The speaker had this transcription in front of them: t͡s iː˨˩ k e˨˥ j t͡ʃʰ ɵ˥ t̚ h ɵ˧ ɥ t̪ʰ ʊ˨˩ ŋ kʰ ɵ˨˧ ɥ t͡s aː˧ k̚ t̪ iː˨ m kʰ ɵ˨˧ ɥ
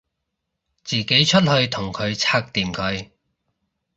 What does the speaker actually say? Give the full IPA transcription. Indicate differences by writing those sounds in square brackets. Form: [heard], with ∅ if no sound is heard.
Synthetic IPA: t͡s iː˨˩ k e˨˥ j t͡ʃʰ ɵ˥ t̚ h ɵ˧ ɥ t̪ʰ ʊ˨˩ ŋ kʰ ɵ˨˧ ɥ [t͡sʰ] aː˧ k̚ t̪ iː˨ m kʰ ɵ˨˧ ɥ